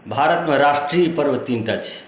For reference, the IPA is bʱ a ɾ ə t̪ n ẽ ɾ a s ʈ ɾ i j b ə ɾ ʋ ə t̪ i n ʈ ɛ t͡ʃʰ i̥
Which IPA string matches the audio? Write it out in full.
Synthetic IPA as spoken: bʱ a ɾ ə t̪ m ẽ ɾ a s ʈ ɾ i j p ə ɾ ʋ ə t̪ i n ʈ a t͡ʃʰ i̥